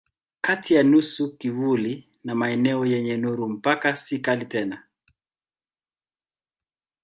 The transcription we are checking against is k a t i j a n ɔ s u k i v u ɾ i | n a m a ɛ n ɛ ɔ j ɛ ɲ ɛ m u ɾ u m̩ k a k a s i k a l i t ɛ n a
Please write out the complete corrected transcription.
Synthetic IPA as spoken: k a t i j a n u s u k i v u l i | n a m a ɛ n ɛ ɔ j ɛ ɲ ɛ n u ɾ u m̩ p a k a s i k a l i t ɛ n a